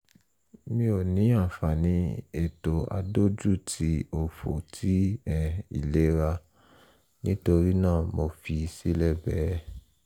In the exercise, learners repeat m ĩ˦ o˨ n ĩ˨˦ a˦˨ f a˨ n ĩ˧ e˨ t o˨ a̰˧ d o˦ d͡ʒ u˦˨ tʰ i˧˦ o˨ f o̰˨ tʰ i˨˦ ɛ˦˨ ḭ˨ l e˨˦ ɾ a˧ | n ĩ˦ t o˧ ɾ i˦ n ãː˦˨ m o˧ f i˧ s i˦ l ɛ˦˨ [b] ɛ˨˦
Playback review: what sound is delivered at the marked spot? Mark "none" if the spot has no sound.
b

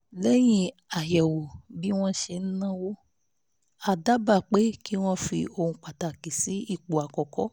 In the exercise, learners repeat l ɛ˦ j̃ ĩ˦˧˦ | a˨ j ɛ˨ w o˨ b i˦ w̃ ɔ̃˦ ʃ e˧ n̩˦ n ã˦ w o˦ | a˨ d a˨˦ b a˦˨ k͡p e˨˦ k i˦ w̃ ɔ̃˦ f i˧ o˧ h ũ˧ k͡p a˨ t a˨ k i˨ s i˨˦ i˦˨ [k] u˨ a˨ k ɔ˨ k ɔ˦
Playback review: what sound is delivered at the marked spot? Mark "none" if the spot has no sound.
k͡p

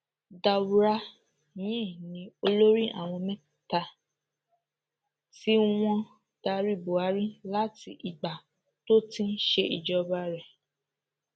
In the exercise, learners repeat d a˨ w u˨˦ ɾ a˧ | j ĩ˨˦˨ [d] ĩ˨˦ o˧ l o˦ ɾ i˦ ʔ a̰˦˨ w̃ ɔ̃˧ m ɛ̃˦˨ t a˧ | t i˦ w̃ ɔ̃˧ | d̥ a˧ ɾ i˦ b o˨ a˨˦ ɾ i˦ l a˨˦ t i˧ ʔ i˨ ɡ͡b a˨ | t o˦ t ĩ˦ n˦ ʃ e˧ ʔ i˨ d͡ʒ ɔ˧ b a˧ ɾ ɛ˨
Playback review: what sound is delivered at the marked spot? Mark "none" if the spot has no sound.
n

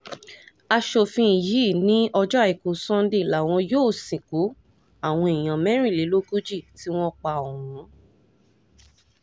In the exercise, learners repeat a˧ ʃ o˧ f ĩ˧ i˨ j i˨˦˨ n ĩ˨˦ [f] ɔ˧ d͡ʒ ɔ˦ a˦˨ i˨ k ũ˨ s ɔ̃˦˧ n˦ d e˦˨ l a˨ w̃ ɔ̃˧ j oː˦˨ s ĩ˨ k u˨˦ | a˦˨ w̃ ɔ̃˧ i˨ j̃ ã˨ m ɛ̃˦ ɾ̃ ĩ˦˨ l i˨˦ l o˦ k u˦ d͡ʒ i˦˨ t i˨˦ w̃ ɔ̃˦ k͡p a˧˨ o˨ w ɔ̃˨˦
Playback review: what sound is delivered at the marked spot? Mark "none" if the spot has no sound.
none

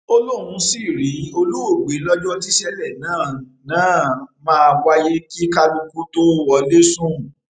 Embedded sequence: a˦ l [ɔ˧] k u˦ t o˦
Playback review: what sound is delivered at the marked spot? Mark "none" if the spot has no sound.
u˧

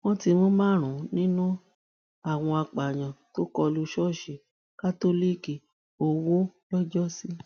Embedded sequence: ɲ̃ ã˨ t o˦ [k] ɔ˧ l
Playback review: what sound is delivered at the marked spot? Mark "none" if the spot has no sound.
k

